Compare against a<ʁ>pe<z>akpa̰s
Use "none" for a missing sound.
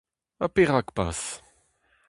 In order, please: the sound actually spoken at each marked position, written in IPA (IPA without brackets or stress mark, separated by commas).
none, ʁ